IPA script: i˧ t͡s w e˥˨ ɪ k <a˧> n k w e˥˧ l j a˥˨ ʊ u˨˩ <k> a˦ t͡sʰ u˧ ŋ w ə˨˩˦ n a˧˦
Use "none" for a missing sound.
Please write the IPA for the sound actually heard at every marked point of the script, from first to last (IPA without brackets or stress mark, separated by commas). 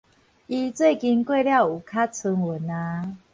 i˧, kʰ